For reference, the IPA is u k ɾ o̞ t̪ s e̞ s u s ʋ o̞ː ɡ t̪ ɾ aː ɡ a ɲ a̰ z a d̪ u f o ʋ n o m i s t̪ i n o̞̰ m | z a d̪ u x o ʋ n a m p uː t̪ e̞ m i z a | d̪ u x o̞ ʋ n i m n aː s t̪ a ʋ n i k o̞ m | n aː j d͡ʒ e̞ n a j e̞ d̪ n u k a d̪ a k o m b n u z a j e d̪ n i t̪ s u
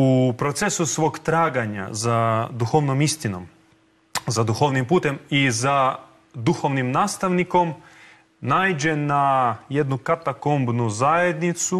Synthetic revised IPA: u p ɾ o̞ t̪ s e̞ s u s ʋ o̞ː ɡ t̪ ɾ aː ɡ a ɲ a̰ z a d̪ u x o ʋ n o m i s t̪ i n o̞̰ m | z a d̪ u x o ʋ n i m p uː t̪ e̞ m i z a | d̪ u x o̞ ʋ n i m n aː s t̪ a ʋ n i k o̞ m | n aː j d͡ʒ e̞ n a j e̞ d̪ n u k a t̪ a k o m b n u z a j e d̪ n i t̪ s u